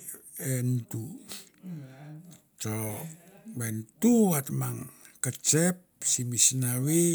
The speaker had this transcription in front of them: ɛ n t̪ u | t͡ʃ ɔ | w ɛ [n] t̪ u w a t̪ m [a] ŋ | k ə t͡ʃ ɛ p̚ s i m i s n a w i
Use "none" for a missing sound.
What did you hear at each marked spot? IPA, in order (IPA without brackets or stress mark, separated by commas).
n, a